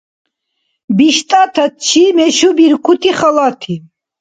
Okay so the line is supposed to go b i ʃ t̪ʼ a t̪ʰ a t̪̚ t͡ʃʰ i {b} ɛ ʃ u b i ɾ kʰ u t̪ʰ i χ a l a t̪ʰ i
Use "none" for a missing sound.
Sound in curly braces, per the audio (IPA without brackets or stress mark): m